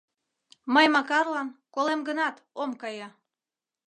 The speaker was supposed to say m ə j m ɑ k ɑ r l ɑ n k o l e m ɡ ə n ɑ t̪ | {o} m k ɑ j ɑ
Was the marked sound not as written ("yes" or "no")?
no